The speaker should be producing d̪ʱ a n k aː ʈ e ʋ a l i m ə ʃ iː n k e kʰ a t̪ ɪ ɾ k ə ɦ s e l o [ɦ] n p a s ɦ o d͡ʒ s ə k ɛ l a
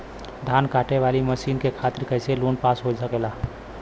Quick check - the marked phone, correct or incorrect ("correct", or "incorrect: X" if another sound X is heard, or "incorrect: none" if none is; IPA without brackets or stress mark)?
incorrect: none